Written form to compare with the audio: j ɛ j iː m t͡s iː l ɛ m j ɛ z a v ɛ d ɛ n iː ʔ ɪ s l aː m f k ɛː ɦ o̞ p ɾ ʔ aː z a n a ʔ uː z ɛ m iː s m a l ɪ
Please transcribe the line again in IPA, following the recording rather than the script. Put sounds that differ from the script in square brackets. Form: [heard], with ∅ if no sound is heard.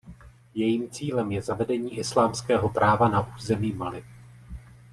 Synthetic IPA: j ɛ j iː m t͡s iː l ɛ m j ɛ z a v ɛ d ɛ [ɲ] iː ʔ ɪ s l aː m [s] k ɛː ɦ o̞ p ɾ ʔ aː [v] a n a ʔ uː z ɛ m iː [∅] m a l ɪ